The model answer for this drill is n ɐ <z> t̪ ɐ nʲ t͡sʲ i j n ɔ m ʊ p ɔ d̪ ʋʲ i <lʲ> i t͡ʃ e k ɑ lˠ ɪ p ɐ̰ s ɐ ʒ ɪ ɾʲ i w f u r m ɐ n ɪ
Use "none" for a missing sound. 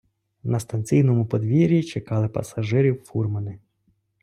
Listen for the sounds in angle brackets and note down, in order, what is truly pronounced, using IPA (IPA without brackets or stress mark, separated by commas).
s, ɾʲ